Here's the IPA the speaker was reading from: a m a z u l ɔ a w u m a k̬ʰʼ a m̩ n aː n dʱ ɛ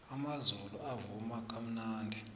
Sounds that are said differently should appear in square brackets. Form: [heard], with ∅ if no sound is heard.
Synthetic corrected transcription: a m a z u l [u] a [v] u m a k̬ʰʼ a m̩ n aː n dʱ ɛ